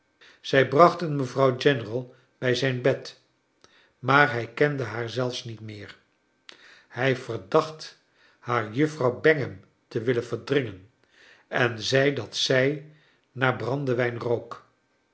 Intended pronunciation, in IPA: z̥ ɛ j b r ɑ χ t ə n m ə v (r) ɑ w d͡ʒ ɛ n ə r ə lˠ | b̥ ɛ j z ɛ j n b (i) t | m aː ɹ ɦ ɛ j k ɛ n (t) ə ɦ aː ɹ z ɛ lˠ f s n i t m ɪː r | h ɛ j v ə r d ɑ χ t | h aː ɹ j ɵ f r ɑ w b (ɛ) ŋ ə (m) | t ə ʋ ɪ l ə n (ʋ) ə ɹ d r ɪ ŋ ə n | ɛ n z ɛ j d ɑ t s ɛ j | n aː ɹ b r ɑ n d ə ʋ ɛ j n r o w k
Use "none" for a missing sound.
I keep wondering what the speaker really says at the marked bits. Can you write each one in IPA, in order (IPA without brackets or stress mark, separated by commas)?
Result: r, ɛ, d, ɛ, m, v